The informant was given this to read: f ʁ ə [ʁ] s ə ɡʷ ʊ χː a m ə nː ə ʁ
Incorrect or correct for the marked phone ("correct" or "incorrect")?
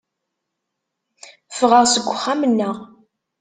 correct